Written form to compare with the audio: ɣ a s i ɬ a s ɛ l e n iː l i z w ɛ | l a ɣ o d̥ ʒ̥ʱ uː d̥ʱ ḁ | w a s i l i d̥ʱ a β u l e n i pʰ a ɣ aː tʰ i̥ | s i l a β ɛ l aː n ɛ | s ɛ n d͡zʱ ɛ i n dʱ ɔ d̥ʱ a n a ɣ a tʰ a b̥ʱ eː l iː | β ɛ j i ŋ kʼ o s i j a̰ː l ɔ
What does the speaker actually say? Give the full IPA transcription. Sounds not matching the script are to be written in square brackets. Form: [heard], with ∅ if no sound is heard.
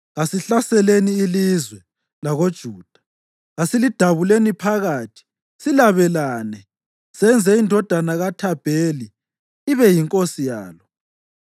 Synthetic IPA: ɣ a s i ɬ a s ɛ l e n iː l i z w ɛ | l a ɣ o d̥ ʒ̥ʱ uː d̥ʱ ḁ | [ɣ] a s i l i d̥ʱ a β u l e n i pʰ a ɣ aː tʰ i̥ | s i l a β ɛ l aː n ɛ | s ɛ n d͡zʱ ɛ i n dʱ ɔ d̥ʱ a n a ɣ a tʰ a b̥ʱ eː l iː | β ɛ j i ŋ kʼ o s i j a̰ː l ɔ